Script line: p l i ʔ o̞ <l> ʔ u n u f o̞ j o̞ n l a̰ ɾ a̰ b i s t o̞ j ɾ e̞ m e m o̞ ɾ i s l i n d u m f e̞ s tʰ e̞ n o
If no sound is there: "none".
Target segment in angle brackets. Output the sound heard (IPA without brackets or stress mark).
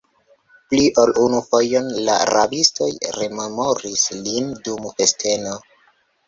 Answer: l